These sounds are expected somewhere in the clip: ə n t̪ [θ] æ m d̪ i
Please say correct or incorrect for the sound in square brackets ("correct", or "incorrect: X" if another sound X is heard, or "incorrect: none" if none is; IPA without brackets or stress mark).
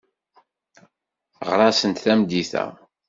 correct